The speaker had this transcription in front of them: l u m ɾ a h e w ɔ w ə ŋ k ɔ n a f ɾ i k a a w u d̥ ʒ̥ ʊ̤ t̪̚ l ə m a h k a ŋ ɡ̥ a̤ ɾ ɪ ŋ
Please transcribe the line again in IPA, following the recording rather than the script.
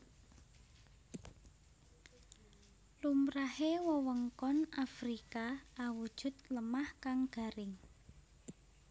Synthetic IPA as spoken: l u m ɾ a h e w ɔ w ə ŋ k ɔ n a f ɾ i k a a w u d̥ ʒ̥ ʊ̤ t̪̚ l ə m a h k a ŋ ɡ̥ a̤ ɾ ɪ ŋ